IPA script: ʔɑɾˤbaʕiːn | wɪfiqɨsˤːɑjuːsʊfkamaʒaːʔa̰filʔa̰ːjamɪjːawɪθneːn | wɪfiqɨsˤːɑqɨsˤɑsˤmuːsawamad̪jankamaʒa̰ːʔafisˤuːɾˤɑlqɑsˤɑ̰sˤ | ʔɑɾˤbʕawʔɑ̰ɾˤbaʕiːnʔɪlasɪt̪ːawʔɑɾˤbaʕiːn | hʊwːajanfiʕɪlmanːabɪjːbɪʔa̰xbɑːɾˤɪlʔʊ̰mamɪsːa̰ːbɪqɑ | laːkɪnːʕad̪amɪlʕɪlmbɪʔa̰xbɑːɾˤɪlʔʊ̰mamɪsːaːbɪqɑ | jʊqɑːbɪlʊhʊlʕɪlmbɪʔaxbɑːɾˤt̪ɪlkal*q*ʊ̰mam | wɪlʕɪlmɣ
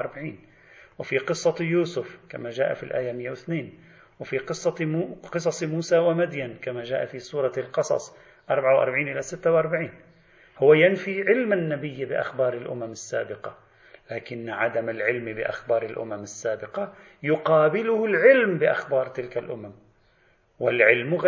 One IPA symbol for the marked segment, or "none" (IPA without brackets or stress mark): ʔ